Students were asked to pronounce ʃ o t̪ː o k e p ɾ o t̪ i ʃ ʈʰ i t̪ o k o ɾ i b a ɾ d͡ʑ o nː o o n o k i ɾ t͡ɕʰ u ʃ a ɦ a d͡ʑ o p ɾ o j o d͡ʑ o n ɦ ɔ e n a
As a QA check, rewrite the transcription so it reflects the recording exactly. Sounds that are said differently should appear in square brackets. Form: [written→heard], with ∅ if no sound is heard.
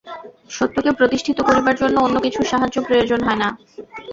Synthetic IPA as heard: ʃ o t̪ː o k e p ɾ o t̪ i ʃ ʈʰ i t̪ o k o ɾ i b a ɾ d͡ʑ o nː o o [n→nː] o k i [ɾ→∅] t͡ɕʰ u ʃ a ɦ a d͡ʑ o p ɾ o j o d͡ʑ o n ɦ ɔ e n a